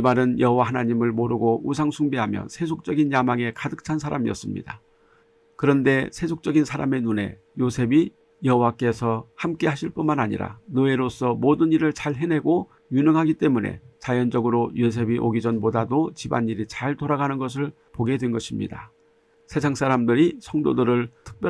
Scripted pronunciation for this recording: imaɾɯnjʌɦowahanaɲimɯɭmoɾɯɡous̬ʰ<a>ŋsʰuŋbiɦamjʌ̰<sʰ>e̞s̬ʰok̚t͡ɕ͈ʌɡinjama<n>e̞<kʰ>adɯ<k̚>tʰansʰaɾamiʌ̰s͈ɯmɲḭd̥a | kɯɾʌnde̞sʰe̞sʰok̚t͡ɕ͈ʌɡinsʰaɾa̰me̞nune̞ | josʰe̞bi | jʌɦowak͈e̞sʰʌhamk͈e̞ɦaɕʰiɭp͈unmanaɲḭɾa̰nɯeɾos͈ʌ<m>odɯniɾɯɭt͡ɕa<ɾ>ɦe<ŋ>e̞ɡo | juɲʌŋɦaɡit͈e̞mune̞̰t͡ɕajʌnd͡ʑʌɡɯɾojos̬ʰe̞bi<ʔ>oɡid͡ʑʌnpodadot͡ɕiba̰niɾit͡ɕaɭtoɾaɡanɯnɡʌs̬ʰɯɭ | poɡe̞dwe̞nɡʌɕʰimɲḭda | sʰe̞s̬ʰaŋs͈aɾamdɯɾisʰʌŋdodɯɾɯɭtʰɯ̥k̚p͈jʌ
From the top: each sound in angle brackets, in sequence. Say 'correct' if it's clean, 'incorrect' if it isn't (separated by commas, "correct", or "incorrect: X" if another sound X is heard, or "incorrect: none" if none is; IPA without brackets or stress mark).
correct, correct, incorrect: ŋ, incorrect: k, correct, correct, incorrect: ɭ, incorrect: n, correct